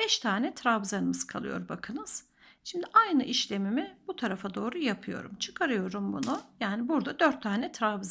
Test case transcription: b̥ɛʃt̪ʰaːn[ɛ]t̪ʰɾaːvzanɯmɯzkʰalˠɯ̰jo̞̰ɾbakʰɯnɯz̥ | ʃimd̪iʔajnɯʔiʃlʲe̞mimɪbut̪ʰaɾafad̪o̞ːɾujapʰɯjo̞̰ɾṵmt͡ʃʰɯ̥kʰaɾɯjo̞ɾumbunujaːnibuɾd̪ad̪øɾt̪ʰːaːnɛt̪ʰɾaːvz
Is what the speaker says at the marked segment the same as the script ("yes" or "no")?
yes